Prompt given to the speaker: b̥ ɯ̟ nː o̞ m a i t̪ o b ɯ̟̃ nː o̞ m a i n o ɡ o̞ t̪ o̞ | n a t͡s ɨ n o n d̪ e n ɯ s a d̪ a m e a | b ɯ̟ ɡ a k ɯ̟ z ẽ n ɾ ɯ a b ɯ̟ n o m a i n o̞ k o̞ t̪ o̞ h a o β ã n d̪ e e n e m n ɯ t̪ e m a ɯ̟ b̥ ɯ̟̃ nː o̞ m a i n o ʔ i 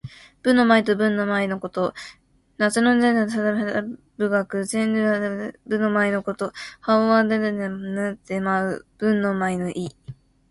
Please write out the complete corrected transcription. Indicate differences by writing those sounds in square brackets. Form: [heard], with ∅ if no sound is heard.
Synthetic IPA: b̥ ɯ̟ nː o̞ m a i t̪ o b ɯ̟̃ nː o̞ m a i n o [k] o̞ t̪ o̞ | n a t͡s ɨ n o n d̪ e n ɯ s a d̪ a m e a | b ɯ̟ ɡ a k ɯ̟ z ẽ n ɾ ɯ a b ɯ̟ n o m a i n o̞ k o̞ t̪ o̞ h a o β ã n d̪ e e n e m n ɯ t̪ e m a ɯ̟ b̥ ɯ̟̃ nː o̞ m a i n o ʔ i